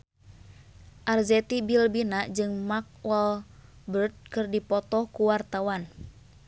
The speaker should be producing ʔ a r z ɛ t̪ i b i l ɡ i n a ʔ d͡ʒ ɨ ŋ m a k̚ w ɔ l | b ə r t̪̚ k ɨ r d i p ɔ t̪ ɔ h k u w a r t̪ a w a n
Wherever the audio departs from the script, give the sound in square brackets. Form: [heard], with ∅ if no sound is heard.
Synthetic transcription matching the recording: ʔ a r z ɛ t̪ i b i l [b] i n a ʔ d͡ʒ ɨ ŋ m a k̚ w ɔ l | b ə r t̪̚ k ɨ r d i p ɔ t̪ ɔ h k u w a r t̪ a w a n